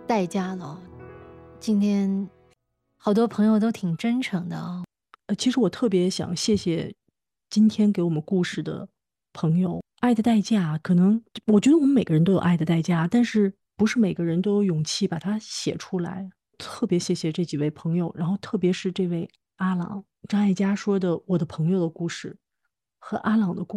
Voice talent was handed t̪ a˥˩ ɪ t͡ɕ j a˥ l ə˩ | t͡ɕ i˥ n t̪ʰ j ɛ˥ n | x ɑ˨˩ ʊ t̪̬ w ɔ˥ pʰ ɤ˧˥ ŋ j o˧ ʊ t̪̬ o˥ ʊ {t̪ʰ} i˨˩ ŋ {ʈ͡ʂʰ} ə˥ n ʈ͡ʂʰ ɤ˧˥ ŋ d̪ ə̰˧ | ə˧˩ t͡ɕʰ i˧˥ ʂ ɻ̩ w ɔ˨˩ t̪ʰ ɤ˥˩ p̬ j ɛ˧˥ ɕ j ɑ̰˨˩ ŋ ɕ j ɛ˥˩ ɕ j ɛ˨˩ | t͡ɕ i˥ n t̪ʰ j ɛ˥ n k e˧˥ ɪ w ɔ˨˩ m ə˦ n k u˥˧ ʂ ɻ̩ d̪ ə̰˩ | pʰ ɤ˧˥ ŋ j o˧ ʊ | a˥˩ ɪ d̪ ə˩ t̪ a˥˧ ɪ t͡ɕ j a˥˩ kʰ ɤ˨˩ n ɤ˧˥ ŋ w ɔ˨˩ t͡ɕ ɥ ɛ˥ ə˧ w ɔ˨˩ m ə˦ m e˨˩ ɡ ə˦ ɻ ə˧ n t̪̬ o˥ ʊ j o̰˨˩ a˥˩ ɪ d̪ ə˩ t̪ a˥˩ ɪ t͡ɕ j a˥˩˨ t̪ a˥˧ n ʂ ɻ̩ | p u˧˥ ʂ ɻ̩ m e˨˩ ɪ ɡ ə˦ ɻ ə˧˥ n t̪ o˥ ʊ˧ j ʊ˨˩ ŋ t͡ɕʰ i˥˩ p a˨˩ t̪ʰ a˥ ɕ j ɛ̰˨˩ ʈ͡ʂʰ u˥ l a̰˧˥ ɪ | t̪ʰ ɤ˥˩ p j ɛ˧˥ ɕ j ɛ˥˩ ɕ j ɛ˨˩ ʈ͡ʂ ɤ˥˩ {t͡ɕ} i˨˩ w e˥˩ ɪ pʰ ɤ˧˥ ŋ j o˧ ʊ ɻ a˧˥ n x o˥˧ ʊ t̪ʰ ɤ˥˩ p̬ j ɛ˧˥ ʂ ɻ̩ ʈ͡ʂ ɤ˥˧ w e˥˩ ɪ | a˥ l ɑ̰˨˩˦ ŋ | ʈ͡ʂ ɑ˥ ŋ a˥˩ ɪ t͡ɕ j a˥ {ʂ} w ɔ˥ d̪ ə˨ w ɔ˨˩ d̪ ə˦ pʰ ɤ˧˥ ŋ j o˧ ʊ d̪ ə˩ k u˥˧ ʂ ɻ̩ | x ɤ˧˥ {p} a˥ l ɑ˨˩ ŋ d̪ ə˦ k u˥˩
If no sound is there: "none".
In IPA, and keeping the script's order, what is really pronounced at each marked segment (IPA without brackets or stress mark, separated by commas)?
t̪ʰ, ʈ͡ʂ, t͡ɕ, ʂ, ʔ